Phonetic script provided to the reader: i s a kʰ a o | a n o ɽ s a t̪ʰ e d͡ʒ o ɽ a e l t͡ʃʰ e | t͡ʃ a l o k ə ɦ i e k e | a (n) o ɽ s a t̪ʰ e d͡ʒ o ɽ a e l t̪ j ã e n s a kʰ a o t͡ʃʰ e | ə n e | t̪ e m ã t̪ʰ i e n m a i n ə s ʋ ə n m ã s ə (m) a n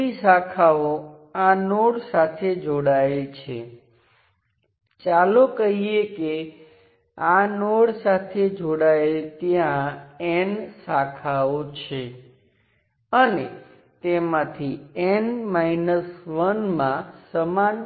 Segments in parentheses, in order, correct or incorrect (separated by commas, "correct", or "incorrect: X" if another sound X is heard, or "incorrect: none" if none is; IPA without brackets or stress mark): correct, correct